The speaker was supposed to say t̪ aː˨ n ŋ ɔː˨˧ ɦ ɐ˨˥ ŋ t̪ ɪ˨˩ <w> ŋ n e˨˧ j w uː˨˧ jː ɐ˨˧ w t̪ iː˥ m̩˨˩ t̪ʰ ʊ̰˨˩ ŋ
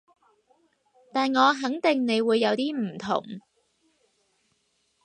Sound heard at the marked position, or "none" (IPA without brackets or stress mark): none